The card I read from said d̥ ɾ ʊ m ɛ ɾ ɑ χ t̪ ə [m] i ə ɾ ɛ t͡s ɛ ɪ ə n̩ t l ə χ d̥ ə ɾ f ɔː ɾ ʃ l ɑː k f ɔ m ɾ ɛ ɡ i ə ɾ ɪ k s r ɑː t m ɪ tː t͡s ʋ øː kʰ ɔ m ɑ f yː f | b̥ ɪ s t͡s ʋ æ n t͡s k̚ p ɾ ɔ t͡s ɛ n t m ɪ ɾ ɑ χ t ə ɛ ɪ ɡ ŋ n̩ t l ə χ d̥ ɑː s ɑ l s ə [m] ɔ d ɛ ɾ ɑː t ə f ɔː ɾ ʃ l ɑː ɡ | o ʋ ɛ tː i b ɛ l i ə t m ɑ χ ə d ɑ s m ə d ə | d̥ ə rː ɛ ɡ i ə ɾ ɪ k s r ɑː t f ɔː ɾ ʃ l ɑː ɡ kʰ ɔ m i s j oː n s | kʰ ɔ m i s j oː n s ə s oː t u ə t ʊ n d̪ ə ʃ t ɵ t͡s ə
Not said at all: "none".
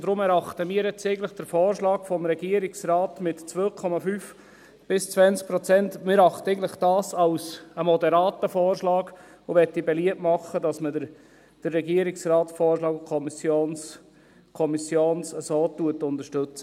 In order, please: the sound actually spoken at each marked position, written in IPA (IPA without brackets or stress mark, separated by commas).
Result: m, m